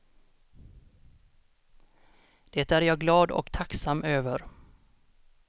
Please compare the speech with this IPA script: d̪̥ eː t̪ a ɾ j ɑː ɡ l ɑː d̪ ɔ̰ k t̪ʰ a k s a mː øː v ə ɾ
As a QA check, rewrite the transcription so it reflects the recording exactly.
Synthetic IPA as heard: d̪̥ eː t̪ æ ɾ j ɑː ɡ l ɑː d̪ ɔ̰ k t̪ʰ a k s a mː øː v ə ɾ